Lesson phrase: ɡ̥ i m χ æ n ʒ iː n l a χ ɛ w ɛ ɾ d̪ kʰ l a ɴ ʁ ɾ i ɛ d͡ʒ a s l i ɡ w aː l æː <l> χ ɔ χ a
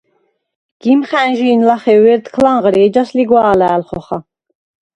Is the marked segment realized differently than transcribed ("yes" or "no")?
no